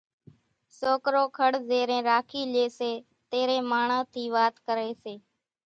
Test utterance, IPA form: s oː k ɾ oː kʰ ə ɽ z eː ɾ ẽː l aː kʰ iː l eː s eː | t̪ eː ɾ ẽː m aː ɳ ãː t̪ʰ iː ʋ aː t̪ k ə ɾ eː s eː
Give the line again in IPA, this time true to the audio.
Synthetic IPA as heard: s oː k ɾ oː kʰ ə ɽ z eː ɾ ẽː ɾ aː kʰ iː l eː s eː | t̪ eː ɾ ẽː m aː ɳ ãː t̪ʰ iː ʋ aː t̪ k ə ɾ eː s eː